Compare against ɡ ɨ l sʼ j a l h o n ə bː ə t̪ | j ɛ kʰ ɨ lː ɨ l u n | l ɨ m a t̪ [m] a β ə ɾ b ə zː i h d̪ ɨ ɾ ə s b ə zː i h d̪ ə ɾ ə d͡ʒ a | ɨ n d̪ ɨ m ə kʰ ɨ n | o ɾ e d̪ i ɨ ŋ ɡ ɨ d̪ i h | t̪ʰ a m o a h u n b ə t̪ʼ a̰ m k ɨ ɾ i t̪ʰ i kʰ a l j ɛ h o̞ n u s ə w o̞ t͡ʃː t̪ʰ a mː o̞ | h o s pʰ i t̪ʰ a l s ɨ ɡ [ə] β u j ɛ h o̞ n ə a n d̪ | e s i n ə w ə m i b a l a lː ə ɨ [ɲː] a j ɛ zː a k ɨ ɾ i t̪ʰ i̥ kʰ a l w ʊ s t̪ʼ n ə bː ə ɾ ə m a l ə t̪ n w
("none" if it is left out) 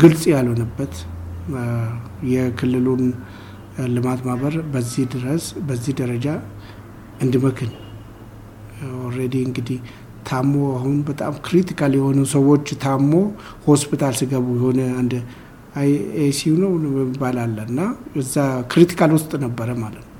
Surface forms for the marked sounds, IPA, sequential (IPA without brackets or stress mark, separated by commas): m, ə, nː